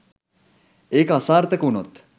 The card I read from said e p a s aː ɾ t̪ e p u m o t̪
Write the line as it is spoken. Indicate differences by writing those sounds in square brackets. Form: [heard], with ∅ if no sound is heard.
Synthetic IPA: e [k] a s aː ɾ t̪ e [k] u [n] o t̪